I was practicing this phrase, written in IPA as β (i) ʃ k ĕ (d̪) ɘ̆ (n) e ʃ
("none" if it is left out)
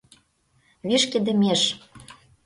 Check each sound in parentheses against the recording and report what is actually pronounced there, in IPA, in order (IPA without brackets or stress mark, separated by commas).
i, d̪, m